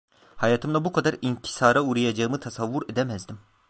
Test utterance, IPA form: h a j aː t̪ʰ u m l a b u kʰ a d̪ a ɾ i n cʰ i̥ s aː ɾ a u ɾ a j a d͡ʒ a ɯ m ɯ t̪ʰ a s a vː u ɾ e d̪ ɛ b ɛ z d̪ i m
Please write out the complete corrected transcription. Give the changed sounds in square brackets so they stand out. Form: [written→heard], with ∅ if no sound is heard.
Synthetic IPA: h a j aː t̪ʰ [u→ɯ] m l a b u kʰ a d̪ a ɾ i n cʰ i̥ s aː ɾ a u ɾ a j a d͡ʒ a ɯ m ɯ t̪ʰ a s a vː u ɾ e d̪ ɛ [b→m] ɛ z d̪ i m